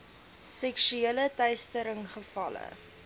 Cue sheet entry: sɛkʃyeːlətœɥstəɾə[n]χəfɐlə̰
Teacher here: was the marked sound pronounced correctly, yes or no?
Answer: no